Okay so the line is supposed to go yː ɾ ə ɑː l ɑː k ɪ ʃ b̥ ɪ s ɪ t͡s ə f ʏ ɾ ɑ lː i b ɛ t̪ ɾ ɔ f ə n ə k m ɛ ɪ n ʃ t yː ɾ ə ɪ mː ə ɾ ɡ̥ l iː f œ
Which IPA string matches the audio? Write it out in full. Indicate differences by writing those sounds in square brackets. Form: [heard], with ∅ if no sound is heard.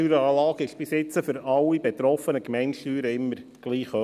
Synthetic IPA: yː ɾ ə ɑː l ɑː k ɪ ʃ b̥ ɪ s ɪ t͡s ə f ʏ ɾ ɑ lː i b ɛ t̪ ɾ ɔ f ə n ə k m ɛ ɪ n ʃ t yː ɾ ə ɪ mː ə ɾ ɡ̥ l iː [χ] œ